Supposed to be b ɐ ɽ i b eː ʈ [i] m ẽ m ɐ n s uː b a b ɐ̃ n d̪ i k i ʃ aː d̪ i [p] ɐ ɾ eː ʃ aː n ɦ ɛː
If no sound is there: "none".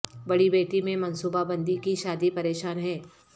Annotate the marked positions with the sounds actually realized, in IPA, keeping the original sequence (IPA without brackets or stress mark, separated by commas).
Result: i, p